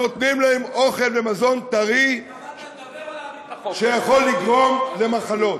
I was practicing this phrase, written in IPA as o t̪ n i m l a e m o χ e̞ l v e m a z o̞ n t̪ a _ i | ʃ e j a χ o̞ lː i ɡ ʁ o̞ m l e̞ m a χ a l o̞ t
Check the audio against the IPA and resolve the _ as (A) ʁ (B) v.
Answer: A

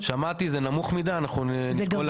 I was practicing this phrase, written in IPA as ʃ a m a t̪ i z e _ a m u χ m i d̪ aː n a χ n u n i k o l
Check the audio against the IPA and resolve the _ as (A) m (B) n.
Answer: B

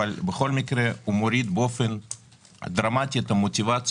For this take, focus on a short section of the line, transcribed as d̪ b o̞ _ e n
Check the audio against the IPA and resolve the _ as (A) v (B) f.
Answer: B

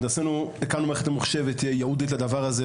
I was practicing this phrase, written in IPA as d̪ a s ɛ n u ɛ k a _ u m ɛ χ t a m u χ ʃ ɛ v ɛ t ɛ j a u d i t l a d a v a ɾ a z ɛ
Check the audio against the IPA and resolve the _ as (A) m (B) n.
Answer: B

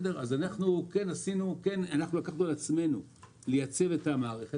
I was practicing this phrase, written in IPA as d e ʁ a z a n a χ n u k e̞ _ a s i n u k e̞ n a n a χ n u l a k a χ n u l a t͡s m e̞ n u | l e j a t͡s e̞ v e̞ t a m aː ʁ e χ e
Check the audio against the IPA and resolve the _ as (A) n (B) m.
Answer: A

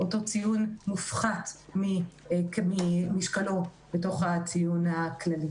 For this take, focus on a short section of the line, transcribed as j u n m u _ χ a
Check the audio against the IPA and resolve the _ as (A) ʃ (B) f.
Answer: B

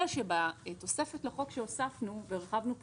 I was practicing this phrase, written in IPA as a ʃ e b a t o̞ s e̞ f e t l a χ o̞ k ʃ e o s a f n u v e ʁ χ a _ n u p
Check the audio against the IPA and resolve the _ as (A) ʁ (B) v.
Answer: B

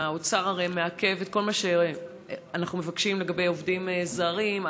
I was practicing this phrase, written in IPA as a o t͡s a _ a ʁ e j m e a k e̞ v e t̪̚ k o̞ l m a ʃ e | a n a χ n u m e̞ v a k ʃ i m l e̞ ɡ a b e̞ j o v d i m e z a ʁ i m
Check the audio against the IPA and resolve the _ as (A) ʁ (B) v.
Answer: A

